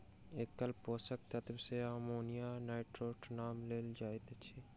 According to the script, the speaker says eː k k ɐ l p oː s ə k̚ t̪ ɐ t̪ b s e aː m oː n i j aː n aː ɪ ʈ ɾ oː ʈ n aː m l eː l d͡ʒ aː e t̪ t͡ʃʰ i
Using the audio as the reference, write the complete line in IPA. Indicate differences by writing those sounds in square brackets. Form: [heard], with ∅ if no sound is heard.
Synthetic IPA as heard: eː k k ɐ l p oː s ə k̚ t̪ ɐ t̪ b s e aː m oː n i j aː n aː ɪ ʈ ɾ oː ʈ n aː m l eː l d͡ʒ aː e t̪ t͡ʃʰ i